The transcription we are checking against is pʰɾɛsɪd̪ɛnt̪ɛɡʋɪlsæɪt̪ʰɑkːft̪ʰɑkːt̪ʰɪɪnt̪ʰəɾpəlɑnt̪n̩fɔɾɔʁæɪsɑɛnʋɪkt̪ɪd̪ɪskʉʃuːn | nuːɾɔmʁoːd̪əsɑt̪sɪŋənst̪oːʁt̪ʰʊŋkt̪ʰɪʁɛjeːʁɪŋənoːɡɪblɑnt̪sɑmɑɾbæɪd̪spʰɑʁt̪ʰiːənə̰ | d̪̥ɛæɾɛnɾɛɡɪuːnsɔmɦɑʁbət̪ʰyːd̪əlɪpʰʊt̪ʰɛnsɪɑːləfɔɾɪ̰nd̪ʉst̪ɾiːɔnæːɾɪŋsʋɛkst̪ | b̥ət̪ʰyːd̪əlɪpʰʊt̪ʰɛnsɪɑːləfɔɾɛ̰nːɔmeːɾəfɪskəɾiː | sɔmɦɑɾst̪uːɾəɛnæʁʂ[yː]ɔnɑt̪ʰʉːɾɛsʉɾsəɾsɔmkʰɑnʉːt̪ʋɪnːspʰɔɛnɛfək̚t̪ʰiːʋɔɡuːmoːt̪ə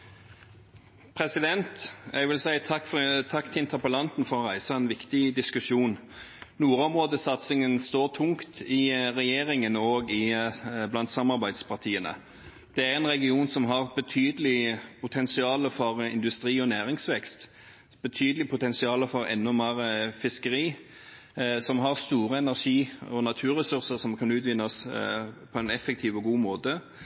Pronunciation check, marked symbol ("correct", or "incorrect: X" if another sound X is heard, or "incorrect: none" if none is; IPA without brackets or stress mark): incorrect: iː